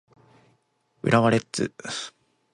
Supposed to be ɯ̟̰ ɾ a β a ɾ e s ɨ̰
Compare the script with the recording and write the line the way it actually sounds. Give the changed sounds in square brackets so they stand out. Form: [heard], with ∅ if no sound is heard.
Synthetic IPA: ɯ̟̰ ɾ a β a ɾ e [t͡s] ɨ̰